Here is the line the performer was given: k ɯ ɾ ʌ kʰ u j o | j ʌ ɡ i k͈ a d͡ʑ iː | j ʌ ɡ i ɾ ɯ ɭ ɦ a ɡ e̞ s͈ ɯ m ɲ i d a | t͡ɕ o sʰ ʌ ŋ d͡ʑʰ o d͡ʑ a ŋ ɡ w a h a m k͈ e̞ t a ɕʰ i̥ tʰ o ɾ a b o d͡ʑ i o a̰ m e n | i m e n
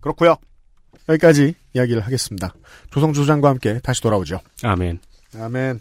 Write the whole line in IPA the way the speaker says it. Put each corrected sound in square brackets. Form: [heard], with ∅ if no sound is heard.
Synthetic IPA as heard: k ɯ ɾ ʌ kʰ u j o | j ʌ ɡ i k͈ a d͡ʑ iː | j [a] ɡ i ɾ ɯ ɭ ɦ a ɡ e̞ s͈ ɯ m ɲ i d a | t͡ɕ o sʰ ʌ ŋ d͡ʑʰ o d͡ʑ a ŋ ɡ w a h a m k͈ e̞ t a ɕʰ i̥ [t] o ɾ a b o d͡ʑ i o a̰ m e n | [a] m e n